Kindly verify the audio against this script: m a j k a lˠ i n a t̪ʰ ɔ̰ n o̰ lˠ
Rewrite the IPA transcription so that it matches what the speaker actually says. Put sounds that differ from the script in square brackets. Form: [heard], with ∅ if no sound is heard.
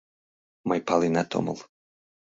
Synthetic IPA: m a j [p] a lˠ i n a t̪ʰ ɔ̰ [m] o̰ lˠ